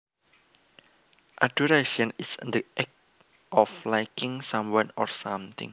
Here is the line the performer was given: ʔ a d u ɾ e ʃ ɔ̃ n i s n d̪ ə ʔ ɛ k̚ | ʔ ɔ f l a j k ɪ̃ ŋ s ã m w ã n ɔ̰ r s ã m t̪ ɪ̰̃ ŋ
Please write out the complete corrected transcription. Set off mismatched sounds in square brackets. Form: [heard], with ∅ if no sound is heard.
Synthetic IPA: ʔ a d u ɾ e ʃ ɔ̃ n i s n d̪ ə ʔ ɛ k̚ | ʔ ɔ f l a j k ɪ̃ ŋ s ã m w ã n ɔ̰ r s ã m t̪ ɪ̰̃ ŋ